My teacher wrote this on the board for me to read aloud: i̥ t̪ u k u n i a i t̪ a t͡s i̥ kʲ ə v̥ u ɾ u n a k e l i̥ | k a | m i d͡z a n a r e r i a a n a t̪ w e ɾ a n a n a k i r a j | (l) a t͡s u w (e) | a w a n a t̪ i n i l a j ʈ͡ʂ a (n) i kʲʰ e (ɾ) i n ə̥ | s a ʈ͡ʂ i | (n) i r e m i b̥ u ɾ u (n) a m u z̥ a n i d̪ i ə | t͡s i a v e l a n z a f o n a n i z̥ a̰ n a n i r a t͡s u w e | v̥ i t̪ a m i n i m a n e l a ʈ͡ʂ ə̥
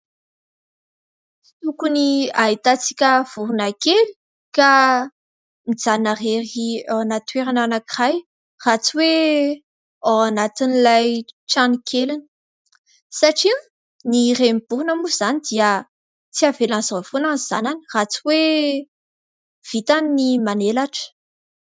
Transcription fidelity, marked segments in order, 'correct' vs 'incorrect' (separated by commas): incorrect, correct, correct, incorrect, correct, correct